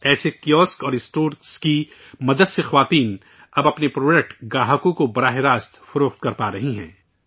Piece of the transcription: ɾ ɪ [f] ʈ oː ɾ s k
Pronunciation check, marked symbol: incorrect: s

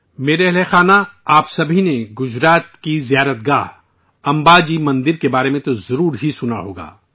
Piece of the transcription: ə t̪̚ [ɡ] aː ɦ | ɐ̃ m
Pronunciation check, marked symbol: correct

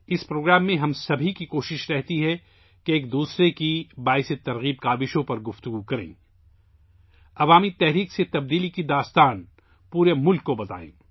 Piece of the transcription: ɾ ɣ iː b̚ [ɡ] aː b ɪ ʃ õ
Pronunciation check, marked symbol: incorrect: k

